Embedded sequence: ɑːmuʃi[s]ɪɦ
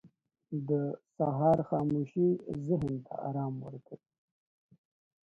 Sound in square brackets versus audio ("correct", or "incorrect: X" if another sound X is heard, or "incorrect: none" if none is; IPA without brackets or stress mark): incorrect: z